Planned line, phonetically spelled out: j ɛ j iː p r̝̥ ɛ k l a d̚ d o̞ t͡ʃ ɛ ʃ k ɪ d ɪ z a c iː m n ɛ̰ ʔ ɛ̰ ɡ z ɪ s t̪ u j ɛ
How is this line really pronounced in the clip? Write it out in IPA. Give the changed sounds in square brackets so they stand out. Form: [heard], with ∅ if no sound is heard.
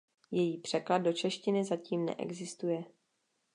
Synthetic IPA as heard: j ɛ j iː p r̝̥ ɛ k l a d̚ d o̞ t͡ʃ ɛ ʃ [c] ɪ [n] ɪ z a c iː m n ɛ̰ ʔ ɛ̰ ɡ z ɪ s t̪ u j ɛ